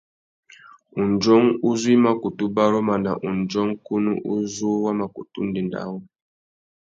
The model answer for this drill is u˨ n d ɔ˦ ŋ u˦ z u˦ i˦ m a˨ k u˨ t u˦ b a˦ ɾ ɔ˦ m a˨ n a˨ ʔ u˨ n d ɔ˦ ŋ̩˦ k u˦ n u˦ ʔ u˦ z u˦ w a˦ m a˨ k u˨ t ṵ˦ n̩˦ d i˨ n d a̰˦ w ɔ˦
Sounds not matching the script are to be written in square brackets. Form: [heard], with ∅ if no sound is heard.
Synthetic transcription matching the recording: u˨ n [d͡ʒ] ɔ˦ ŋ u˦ z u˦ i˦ m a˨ k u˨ t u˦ b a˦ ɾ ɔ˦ m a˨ n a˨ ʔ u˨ n [d͡ʒ] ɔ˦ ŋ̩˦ k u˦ n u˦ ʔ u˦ z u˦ w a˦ m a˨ k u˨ t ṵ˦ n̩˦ d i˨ n d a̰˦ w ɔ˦

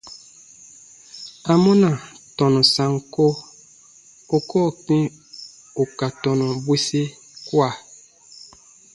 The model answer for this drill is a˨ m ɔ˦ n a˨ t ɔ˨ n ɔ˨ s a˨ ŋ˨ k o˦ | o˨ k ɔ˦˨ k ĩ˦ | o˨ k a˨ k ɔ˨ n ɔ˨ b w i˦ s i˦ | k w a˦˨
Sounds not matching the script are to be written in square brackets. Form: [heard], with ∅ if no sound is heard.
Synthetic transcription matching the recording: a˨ m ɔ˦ n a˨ t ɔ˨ n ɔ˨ s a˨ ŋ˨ k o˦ | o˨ k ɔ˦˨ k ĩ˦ | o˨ k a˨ [t] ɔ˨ n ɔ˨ b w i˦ s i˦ | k w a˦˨

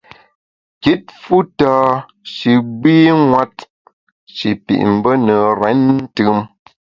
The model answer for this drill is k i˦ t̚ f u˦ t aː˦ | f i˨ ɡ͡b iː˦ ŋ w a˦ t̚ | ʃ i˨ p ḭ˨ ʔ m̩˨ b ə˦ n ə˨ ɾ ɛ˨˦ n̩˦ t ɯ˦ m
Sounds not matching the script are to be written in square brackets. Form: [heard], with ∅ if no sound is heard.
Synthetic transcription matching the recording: k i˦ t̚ f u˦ t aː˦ | [ʃ] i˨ ɡ͡b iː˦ ŋ w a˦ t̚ | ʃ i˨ p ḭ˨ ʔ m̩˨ b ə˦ n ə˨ ɾ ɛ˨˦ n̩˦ t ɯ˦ m

